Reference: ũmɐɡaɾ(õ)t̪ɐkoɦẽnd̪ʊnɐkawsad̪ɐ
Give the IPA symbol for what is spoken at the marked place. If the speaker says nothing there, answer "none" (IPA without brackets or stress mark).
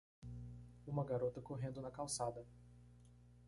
o